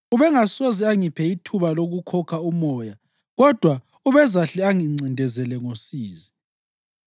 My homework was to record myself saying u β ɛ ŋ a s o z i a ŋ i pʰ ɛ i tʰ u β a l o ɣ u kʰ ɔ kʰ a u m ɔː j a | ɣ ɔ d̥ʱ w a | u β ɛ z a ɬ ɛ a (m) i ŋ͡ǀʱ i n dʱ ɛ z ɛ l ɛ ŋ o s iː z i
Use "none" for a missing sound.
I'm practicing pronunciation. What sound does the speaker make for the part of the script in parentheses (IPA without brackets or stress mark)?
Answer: ŋ